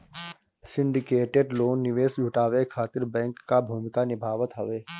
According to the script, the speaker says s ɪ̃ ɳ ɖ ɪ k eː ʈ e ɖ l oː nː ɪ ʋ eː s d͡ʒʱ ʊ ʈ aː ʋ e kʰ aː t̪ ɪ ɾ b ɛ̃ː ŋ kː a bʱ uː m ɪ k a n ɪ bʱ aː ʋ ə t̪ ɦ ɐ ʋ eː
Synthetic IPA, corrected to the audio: s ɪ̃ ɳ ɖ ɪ k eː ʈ e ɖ l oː nː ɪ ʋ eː s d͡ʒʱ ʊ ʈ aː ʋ e kʰ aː t̪ ɪ ɾ b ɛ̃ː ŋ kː a bʱ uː m ɪ k a n ɪ bʱ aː ʋ ə t̪ ɦ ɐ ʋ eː